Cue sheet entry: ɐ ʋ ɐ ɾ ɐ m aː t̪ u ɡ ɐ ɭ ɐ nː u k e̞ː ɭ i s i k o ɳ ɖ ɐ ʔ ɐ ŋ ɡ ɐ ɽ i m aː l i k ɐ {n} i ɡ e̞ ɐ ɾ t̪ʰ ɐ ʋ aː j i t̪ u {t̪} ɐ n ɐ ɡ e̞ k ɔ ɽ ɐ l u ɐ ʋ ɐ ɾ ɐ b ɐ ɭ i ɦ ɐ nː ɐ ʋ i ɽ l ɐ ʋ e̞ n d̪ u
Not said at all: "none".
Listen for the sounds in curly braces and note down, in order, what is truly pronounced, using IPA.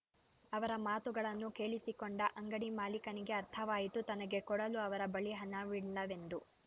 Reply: n, t̪

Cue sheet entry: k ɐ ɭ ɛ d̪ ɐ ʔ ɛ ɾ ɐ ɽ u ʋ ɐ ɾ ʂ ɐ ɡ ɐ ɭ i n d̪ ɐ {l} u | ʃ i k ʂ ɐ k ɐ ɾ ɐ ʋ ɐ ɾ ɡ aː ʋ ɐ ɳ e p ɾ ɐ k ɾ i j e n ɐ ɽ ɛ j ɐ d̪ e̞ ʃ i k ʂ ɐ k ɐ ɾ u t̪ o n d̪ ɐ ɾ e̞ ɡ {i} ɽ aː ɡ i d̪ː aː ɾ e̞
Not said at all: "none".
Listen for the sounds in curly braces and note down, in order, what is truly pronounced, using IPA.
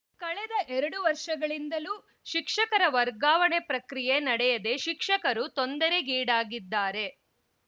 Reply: l, iː

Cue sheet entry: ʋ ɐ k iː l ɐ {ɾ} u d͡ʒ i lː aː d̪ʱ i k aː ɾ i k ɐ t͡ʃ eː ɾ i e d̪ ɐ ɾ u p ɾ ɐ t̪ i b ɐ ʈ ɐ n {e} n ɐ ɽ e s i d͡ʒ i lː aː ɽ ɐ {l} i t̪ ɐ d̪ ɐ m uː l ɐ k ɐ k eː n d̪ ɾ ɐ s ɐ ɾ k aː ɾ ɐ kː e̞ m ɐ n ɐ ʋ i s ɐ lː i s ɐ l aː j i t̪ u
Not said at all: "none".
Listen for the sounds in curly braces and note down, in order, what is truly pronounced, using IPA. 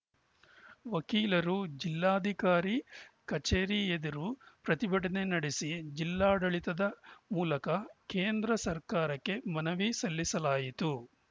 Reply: ɾ, e, ɭ

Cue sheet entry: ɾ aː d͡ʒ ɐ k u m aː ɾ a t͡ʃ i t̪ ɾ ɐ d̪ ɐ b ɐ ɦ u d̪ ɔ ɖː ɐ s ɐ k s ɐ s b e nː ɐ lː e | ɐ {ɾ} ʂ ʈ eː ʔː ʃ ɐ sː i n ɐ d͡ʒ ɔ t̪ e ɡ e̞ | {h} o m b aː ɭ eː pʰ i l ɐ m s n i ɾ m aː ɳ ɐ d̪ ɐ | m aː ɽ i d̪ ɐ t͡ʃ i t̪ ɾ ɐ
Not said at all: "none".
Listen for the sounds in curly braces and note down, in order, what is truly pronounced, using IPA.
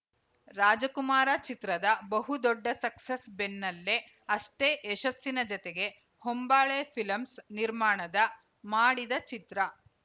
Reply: none, h

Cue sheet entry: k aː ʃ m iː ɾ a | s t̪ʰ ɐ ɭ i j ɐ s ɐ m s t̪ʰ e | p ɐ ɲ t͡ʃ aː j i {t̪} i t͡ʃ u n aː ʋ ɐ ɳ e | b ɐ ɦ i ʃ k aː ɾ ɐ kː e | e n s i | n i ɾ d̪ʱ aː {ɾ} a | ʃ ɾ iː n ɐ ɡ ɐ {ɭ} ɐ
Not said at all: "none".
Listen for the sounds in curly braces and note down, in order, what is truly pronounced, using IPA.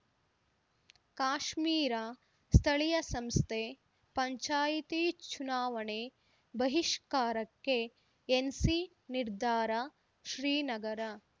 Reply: t̪, ɾ, ɾ

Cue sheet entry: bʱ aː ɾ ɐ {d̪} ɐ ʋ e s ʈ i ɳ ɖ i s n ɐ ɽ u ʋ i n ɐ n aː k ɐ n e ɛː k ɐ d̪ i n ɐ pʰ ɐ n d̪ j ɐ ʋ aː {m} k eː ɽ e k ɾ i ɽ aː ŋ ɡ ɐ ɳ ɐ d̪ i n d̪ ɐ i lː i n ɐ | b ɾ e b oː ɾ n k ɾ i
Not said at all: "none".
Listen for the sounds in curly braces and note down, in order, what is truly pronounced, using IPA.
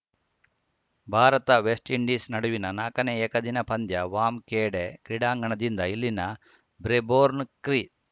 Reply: t̪, m

